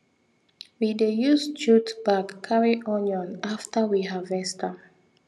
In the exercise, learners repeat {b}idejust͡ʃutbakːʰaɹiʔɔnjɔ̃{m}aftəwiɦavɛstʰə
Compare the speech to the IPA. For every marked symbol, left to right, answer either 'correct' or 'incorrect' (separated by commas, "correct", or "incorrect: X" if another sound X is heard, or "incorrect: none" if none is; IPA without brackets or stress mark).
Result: incorrect: w, incorrect: n